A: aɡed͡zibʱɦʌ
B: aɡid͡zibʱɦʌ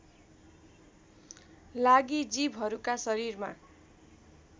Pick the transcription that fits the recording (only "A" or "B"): B